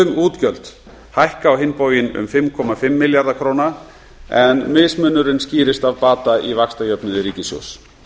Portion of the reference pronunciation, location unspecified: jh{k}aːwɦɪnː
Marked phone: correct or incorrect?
correct